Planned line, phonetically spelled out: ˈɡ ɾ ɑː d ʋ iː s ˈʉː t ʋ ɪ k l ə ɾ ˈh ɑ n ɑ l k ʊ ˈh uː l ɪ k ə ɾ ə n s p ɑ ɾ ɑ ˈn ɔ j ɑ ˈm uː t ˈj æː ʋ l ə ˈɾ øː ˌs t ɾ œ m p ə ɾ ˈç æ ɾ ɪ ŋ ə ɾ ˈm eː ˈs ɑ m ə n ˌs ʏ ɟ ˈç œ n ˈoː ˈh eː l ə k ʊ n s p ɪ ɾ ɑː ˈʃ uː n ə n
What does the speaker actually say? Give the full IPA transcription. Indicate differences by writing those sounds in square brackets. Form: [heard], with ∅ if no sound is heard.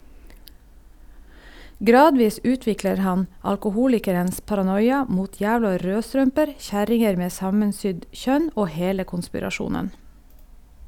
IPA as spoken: ˈɡ ɾ ɑː d ʋ iː s ˈʉː t ʋ ɪ k l ə ɾ ˈh ɑ n ɑ l k ʊ ˈh uː l ɪ k ə ɾ ə n s p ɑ ɾ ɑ ˈn ɔ j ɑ ˈm uː t ˈj æː ʋ l [ɑ] ˈɾ øː ˌs t ɾ œ m p ə ɾ ˈç æ ɾ ɪ ŋ ə ɾ ˈm eː ˈs ɑ m ə n ˌs ʏ ɟ ˈç œ n ˈoː ˈh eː l ə k ʊ n s p ɪ ɾ [ɑ] ˈʃ uː n ə n